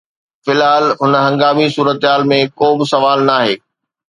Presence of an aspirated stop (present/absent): absent